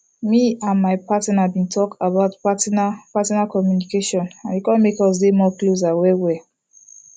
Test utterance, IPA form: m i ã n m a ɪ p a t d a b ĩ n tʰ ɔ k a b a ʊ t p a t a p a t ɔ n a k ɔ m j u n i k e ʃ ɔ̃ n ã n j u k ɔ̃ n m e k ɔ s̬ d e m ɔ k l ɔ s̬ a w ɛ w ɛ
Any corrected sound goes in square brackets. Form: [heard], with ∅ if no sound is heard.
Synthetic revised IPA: m i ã n m a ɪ p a t [n] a b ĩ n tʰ ɔ k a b a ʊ t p a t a p a t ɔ n a k ɔ m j u n i k e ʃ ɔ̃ n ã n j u k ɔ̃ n m e k ɔ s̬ d e m ɔ k l [o] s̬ a w ɛ w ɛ

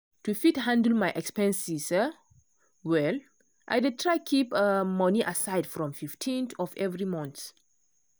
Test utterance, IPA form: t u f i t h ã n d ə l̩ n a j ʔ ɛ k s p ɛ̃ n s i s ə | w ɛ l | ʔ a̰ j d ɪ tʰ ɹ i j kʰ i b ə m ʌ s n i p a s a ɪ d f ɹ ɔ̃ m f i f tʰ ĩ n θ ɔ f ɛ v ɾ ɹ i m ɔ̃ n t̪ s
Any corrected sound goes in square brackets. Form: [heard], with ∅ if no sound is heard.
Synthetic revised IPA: t u f i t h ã n d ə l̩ [m] a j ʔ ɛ k s p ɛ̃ n s i s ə | w ɛ l | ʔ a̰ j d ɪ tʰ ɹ [a] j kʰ i [p] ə m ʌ [∅] n i [ʔ] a s a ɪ d f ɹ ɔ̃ m f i f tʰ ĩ n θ ɔ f ɛ v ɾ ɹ i m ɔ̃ n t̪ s

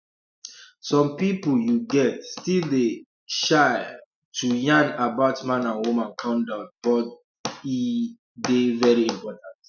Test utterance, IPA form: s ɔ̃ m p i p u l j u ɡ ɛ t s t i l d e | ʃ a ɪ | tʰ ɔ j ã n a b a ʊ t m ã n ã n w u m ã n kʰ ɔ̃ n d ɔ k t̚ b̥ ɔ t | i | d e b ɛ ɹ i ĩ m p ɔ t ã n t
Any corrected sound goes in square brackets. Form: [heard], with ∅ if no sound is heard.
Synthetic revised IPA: s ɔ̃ m p i p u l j u ɡ ɛ t s t i l d e | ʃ a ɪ | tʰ [u] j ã n a b a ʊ t m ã n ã n w u m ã n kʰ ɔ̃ n d ɔ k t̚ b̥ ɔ t | i | d e [v] ɛ ɹ i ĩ m p ɔ t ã n t

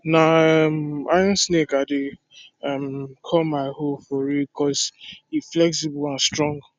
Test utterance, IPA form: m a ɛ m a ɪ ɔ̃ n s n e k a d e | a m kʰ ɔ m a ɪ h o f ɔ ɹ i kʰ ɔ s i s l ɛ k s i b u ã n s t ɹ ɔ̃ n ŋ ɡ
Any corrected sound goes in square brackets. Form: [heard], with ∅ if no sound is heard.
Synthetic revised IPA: [n] a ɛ m a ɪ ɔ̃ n s n e k a d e | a m kʰ ɔ m a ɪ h o f ɔ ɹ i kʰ ɔ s i [f] l ɛ k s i b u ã n s t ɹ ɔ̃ [∅] ŋ ɡ

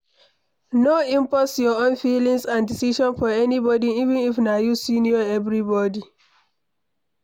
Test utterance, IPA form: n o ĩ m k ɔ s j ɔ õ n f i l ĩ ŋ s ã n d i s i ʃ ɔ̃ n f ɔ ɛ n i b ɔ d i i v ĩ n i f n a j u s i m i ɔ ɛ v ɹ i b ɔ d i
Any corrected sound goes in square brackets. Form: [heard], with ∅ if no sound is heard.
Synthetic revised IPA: n o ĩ m [p] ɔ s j ɔ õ n f i l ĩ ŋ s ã n d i s i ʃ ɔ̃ n f ɔ ɛ n i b ɔ d i i v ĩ n i f n a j u s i [n] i ɔ ɛ v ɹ i b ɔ d i

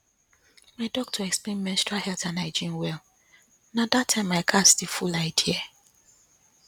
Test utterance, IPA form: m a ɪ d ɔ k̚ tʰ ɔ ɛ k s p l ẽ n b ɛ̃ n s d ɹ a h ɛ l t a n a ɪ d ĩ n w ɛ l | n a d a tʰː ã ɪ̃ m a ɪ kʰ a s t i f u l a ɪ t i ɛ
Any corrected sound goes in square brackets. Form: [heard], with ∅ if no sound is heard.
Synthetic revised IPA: m a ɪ d ɔ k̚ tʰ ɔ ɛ k s p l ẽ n [m] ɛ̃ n s [t] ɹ a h ɛ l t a n a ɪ [d͡ʒ] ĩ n w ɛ l | n a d a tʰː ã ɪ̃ m a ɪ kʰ a s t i f u l a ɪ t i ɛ

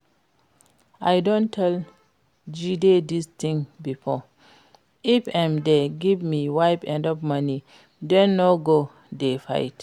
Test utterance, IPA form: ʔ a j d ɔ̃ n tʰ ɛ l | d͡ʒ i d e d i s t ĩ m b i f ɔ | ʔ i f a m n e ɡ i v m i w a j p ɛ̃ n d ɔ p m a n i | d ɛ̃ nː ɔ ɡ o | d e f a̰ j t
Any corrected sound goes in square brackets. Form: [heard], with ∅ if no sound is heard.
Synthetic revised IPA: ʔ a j d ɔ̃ n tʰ ɛ l | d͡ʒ i d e d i s t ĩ [ŋ] b i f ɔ | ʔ i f a m [d] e ɡ i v m i w a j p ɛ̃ n d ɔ p m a n i | d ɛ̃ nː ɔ ɡ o | d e f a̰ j t

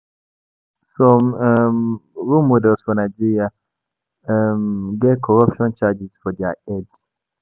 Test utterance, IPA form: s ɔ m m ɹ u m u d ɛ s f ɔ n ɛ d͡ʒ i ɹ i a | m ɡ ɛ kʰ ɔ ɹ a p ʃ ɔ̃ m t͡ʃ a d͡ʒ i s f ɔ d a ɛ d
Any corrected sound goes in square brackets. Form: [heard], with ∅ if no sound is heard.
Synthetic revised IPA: s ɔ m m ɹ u m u d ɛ s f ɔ n [a] d͡ʒ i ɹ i a | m ɡ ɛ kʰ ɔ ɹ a p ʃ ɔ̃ [n] t͡ʃ a d͡ʒ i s f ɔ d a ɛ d

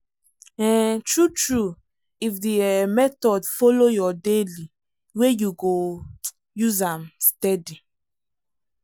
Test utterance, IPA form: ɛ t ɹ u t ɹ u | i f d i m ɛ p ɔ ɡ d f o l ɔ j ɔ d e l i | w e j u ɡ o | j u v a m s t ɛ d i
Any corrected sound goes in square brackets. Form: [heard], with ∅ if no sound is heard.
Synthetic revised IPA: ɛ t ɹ u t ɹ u | i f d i m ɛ [t] ɔ [∅] d f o l [o] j ɔ d e l i | w e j u ɡ o | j u [z] a m s t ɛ d i

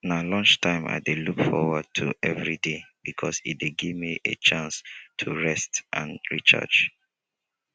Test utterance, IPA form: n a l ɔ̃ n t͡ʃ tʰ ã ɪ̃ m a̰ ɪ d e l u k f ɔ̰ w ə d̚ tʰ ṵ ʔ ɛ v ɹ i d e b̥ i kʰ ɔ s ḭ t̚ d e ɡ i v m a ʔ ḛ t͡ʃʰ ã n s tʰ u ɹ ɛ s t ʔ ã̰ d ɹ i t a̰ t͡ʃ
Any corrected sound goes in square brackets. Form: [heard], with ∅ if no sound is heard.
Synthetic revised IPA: n a l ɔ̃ n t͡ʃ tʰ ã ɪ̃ m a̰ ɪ d e l u k f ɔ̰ w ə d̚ tʰ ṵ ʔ ɛ v ɹ i d e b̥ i kʰ ɔ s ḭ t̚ d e ɡ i v m [i] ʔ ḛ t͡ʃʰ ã n s tʰ u ɹ ɛ s t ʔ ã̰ [n] ɹ i [t͡ʃ] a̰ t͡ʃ

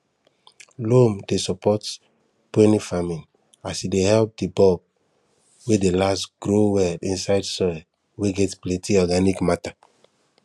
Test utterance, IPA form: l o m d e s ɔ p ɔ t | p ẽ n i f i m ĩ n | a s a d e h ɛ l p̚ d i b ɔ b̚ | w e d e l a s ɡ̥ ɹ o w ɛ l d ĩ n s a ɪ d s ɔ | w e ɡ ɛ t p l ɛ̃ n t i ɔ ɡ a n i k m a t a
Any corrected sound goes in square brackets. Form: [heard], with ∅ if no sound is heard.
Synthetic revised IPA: l o m d e s ɔ p ɔ t | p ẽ n i f [a] m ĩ n | a s [i] d e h ɛ l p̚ d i b ɔ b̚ | w e d e l a s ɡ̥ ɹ o w ɛ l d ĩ n s a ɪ d s ɔ | w e ɡ ɛ t p l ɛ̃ n t i ɔ ɡ a n i k m a t a

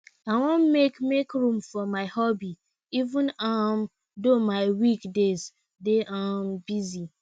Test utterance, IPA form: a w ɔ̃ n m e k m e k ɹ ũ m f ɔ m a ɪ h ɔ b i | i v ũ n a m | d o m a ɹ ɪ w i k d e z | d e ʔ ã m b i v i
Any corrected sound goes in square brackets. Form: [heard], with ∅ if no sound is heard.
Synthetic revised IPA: a w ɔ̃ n m e k m e k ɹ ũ m f ɔ m a ɪ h ɔ b i | i v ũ n a m | d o m a [∅] ɪ w i k d e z | d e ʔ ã m b i [z] i

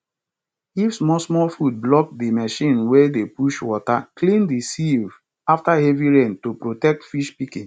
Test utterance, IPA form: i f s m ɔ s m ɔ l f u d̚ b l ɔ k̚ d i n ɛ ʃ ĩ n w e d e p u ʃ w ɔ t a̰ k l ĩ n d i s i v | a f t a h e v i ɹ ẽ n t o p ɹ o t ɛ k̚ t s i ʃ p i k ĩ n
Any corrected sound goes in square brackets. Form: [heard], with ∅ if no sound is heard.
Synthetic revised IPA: i f s m ɔ s m ɔ l f u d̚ b l ɔ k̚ d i [m] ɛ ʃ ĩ n w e d e p u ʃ w ɔ t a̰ k l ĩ n d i s i v | a f t a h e v i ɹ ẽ n t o p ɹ o t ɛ k̚ t [f] i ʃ p i k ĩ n

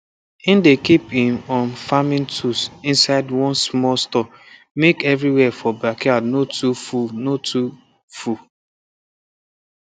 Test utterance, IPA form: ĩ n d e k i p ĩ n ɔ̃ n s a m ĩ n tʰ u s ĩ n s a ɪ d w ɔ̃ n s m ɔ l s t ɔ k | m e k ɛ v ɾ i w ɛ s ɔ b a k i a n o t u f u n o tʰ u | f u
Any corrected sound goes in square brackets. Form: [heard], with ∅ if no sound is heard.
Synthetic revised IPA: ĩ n d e k i p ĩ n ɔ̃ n [f] a m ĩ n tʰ u s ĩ n s a ɪ d w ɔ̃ n s m ɔ l s t ɔ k | m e k ɛ v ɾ i w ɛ [f] ɔ b a k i a n o t u f u n o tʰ u | f u

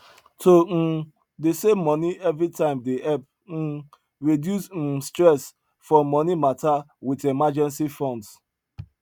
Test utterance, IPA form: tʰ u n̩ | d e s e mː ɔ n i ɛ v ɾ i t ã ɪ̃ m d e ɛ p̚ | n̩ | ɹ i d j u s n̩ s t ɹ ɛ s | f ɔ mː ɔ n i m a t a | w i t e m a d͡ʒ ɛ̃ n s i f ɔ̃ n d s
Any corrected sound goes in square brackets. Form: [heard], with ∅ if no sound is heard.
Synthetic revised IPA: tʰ [o] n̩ | d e s e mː ɔ n i ɛ v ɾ i t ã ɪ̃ m d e ɛ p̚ | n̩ | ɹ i d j u s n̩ s t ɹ ɛ s | f ɔ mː ɔ n i m a t a | w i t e m a d͡ʒ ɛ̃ n s i f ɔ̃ n d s

